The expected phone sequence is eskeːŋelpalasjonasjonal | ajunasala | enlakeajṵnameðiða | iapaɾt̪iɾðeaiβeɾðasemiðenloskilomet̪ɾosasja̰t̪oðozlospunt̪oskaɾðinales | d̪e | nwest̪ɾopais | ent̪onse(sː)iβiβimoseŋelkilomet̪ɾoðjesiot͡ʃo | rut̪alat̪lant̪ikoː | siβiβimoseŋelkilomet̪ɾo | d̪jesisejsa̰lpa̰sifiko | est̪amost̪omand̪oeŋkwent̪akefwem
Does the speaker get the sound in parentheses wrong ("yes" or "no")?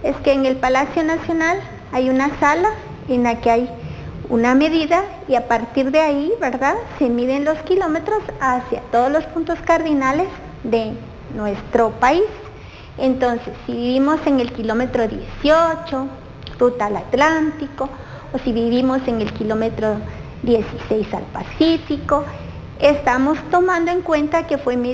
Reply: no